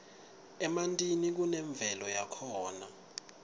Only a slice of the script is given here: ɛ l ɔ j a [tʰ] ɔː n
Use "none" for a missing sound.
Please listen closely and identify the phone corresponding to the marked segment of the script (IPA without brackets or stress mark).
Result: kʰ